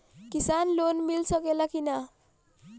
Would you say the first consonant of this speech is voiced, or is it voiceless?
voiceless